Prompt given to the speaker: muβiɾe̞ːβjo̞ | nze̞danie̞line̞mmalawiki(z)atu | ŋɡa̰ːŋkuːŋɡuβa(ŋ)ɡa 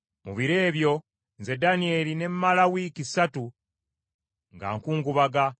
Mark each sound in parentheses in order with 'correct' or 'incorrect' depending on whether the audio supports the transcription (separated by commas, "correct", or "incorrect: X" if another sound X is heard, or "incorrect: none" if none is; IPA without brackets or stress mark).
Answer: incorrect: s, incorrect: none